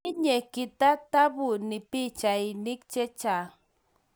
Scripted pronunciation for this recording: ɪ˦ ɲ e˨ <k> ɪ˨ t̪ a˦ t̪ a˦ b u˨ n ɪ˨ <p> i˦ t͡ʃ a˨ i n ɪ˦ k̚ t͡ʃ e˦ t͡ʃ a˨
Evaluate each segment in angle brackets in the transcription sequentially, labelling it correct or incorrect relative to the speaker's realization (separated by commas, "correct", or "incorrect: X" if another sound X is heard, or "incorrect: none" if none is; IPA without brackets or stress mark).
correct, correct